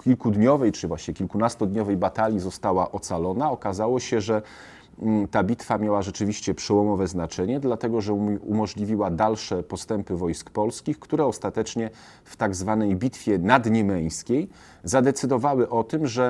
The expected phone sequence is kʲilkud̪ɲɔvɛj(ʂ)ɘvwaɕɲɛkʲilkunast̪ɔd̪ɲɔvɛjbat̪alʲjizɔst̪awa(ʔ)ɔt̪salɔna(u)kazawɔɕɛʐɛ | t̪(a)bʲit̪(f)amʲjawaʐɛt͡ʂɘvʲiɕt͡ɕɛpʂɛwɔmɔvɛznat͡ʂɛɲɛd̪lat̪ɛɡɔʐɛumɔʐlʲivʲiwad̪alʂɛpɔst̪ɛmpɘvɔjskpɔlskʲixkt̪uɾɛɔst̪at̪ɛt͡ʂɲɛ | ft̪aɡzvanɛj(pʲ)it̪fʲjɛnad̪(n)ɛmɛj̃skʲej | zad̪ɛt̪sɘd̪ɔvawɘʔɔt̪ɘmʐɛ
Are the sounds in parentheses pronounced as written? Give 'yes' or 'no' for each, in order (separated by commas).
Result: no, yes, no, yes, yes, no, no